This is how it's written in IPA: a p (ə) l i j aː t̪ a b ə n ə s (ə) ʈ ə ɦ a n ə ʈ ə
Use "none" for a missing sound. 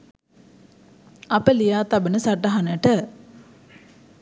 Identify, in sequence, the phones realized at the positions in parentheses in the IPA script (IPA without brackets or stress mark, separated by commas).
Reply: ə, a